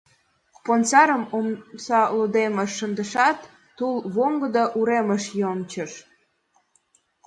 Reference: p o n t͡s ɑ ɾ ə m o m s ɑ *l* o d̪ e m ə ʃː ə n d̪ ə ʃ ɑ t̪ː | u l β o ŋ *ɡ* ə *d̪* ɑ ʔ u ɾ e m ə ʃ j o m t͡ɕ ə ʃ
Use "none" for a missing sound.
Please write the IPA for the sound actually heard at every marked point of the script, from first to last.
l, ɡ, d̪

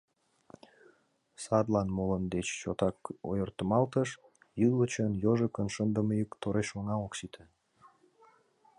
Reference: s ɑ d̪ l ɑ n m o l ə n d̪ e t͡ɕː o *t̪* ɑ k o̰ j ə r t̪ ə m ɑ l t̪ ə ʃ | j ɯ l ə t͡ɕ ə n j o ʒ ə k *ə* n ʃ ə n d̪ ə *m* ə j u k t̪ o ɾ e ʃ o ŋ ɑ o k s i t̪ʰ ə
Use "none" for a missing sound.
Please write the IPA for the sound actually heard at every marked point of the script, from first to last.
t̪, ə, m

